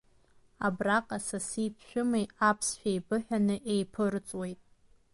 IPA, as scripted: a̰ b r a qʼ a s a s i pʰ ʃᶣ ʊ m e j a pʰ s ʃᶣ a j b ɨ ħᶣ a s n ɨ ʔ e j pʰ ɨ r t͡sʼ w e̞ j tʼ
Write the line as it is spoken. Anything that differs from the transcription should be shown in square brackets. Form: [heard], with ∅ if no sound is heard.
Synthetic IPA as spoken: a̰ b r a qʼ a s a s i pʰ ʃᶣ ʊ m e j a pʰ s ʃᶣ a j b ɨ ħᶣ a [∅] n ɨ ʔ e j pʰ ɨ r t͡sʼ w e̞ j tʼ